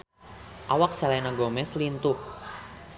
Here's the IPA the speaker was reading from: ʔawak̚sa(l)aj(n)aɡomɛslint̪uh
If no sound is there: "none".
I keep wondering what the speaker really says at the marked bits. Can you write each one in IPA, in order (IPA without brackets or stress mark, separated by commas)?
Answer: l, n